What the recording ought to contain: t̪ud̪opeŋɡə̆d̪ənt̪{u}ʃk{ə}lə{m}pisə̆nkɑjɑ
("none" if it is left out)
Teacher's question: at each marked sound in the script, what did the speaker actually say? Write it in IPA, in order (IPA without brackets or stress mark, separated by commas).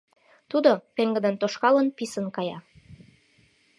o, ɑ, n